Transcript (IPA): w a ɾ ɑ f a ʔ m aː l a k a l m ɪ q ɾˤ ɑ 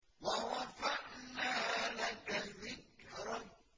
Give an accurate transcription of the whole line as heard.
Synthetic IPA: w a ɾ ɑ f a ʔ n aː l a k a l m ɪ k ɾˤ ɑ